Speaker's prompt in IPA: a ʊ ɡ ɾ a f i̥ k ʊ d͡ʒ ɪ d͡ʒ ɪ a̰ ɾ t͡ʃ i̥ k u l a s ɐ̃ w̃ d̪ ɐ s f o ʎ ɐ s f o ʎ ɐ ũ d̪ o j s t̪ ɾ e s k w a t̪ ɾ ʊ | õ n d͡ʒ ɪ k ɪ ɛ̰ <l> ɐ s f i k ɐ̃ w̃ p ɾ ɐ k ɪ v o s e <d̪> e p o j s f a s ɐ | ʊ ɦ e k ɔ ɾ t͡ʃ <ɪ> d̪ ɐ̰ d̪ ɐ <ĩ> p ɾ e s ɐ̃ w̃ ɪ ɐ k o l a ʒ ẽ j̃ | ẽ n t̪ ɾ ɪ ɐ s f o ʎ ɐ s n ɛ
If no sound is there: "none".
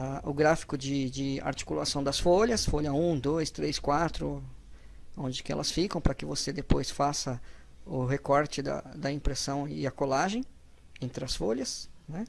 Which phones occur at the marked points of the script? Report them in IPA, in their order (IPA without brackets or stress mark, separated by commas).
l, d̪, ɪ, ĩ